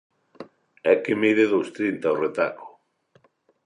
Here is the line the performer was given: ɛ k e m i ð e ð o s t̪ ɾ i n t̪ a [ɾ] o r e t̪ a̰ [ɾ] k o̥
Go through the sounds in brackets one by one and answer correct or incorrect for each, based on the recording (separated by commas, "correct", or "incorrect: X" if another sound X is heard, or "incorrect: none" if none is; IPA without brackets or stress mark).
incorrect: none, incorrect: none